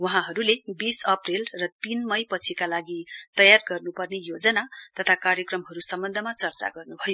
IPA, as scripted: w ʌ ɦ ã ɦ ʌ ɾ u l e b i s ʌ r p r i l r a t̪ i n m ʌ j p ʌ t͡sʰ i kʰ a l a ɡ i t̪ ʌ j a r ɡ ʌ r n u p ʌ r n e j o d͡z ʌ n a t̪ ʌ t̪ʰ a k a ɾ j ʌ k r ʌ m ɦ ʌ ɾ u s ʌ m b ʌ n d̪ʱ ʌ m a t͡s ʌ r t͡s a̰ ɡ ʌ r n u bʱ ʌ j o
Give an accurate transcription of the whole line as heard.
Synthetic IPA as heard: w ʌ ɦ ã ɦ ʌ ɾ u l e b i s ʌ p r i l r ʌ t̪ i n m ʌ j p ʌ t͡sʰ i k a l a ɡ i t̪ ʌ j a r ɡ ʌ r n u p ʌ r n e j o d͡z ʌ n a t̪ ʌ t̪ʰ a k a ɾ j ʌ k r ʌ m ɦ ʌ ɾ u s ʌ m b ʌ n d̪ʱ ʌ m a t͡s ʌ r t͡s a̰ ɡ ʌ r n u bʱ ʌ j o

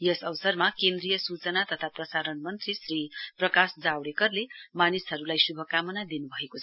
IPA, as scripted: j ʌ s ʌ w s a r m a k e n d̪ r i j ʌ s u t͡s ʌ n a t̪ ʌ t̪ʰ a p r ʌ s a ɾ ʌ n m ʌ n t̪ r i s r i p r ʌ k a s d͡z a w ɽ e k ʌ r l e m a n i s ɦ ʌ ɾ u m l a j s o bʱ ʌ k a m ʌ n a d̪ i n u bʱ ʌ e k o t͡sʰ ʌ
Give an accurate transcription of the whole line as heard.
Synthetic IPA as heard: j ʌ s ʌ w s ʌ r m a k e n d̪ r i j ʌ s u t͡s ʌ n a t̪ ʌ t̪ʰ a p r ʌ s a ɾ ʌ n m ʌ n t̪ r i s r i p r ʌ k a s d͡z a w ɽ e k ʌ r l e m a n i s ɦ ʌ ɾ u l a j s u bʱ ʌ k a m ʌ n a d̪ i n u bʱ ʌ e k o t͡sʰ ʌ

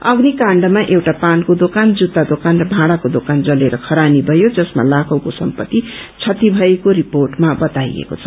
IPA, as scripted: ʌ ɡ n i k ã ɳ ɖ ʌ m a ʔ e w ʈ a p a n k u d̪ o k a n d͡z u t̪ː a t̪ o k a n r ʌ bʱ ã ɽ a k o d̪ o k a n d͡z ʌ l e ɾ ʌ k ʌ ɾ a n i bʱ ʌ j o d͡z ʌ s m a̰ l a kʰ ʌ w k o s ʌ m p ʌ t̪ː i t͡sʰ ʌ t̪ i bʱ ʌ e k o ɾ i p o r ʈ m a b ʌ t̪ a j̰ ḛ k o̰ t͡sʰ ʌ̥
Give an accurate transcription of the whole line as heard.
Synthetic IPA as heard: ʌ ɡ n i k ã ɳ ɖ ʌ m a ʔ e w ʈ a p a n k o d̪ o k a n d͡z u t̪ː a d̪ o k a n r ʌ bʱ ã ɽ a k o d̪ o k a n d͡z ʌ l e ɾ ʌ kʰ ʌ ɾ a n i bʱ ʌ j o d͡z ʌ s m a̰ l a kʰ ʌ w k o s ʌ m p ʌ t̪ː i t͡sʰ ʌ t̪ i bʱ ʌ e k o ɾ i p o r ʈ m a b ʌ t̪ a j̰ ḛ k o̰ t͡sʰ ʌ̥

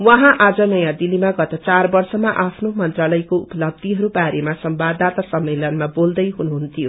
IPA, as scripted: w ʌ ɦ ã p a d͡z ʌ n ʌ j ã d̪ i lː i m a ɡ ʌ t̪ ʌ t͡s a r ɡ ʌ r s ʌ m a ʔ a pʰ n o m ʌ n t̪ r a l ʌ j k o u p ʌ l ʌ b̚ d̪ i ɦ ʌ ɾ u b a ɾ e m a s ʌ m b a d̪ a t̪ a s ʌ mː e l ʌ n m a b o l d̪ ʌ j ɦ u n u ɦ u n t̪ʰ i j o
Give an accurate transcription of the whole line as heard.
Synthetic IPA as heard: w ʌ ɦ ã ʔ a d͡z ʌ n ʌ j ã d̪ i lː i m a ɡ ʌ t̪ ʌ t͡s a r b ʌ r s ʌ m a ʔ a pʰ n o m ʌ n t̪ r a l ʌ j k o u p ʌ l ʌ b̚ d̪ i ɦ ʌ ɾ u b a ɾ e m a s ʌ m b a d̪ a t̪ a s ʌ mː e l ʌ n m a b o l d̪ ʌ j ɦ u n u ɦ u n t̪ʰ i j o

